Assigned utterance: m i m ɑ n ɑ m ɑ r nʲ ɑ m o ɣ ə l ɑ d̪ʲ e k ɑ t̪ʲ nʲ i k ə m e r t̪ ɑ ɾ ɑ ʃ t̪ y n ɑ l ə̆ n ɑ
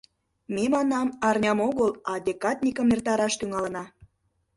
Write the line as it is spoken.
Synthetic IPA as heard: m e m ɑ n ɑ m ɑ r nʲ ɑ m o ɣ ə l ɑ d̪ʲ e k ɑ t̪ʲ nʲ i k ə m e r t̪ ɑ ɾ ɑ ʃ t̪ y ŋ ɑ l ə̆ n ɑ